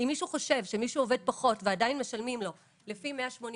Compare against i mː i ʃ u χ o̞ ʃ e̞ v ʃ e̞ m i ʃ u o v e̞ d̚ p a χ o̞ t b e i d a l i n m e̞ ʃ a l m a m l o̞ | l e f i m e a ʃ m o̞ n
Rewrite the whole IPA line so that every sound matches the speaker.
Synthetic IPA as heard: i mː i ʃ u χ o̞ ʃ e̞ v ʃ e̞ m i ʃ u o v e̞ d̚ p a χ o̞ t v e a d a i n m e̞ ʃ a l m i m l o̞ | l e f i m e a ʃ m o̞ n